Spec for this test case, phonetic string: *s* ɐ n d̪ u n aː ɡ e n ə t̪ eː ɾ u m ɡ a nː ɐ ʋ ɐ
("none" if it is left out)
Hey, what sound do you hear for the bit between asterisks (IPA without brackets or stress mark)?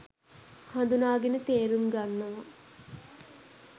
h